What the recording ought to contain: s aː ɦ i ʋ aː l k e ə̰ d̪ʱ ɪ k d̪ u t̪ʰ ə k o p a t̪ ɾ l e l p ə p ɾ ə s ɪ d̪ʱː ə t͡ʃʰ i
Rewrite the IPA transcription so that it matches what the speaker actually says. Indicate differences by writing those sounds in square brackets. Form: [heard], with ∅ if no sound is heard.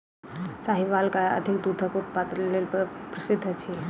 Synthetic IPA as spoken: s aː ɦ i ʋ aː l k [a] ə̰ d̪ʱ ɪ k d̪ u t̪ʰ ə k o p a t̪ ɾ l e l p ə p ɾ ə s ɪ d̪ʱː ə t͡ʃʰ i